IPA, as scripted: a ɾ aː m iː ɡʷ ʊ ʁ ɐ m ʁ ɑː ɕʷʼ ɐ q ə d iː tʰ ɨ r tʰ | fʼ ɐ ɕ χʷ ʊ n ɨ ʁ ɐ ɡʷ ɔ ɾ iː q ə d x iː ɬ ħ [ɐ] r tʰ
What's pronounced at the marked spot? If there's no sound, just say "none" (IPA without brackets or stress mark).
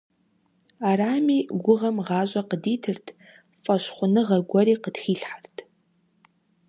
a